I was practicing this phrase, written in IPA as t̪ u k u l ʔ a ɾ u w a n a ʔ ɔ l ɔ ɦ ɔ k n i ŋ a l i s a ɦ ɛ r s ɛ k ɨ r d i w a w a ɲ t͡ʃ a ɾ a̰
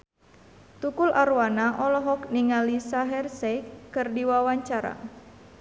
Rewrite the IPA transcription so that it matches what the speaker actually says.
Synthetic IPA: t̪ u k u l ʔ a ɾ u w a n a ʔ ɔ l ɔ ɦ ɔ k n i ŋ a l i s a ɦ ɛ r s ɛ k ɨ r d i w a w a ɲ t͡ʃ a ɾ a̰